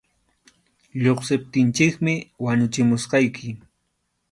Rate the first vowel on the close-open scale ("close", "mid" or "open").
mid